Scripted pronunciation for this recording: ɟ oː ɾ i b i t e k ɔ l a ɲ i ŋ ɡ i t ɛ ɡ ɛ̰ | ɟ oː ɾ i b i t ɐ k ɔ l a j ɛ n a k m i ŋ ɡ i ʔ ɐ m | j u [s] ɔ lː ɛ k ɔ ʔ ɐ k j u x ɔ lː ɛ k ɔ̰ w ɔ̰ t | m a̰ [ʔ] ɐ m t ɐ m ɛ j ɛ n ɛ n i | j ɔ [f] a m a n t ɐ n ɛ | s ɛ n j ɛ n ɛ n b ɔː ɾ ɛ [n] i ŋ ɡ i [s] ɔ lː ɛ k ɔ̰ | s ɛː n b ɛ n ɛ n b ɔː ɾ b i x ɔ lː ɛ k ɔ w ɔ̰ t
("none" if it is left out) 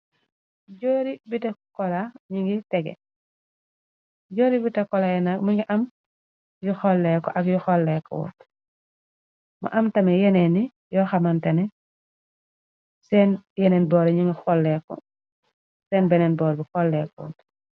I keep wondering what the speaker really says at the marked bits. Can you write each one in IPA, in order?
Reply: x, ʔ, x, ɲ, x

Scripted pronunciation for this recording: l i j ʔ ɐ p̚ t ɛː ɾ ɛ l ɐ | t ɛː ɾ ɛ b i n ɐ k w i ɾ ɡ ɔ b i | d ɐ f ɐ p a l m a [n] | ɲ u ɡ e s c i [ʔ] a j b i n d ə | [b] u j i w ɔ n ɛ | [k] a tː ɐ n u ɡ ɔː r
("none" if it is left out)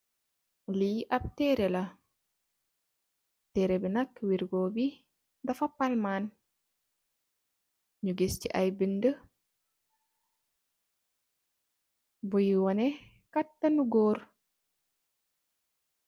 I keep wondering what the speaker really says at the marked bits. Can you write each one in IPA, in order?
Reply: n, ʔ, b, k

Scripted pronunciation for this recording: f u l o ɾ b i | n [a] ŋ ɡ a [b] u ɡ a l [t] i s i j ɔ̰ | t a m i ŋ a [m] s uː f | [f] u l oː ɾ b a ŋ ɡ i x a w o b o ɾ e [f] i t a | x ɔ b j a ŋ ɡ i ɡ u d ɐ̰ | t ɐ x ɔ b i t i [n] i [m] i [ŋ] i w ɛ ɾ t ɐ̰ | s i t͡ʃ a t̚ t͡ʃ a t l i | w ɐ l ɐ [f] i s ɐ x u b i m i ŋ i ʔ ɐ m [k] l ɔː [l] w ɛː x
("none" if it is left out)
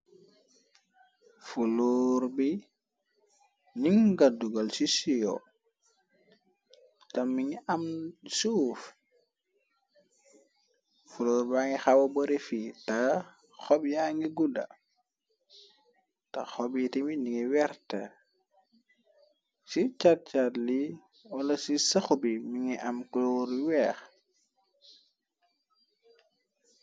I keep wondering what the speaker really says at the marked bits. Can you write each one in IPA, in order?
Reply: i, d, s, m, f, f, m, n, ŋ, s, k, ɾ

